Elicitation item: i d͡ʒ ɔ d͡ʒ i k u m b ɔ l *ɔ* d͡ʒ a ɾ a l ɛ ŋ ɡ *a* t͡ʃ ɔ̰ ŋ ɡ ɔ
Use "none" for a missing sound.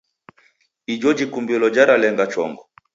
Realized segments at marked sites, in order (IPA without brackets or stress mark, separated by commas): ɔ, a